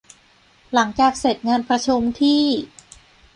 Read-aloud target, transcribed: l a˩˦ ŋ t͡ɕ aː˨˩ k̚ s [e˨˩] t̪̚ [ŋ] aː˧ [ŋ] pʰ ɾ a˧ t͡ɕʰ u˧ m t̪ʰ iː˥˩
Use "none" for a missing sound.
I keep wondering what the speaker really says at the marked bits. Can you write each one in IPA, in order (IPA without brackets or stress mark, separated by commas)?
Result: e˨˩, ŋ, n